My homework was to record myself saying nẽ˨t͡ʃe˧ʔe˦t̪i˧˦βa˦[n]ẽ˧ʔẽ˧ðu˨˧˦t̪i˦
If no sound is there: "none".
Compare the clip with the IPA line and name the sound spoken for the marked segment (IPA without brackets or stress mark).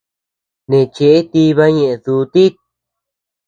ɲ